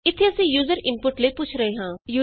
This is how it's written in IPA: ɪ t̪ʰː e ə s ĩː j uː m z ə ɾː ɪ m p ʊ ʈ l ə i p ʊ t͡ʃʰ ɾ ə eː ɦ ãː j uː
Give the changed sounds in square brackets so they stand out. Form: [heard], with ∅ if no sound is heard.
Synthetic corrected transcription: ɪ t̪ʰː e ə s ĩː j uː [∅] z ə [ɾ] ɪ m p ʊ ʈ l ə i p ʊ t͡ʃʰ ɾ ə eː ɦ ãː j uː